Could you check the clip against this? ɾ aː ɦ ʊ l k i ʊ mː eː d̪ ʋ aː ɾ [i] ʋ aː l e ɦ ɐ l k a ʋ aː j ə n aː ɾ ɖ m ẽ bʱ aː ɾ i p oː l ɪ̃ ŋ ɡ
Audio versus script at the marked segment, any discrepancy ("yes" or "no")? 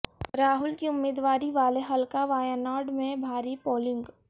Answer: no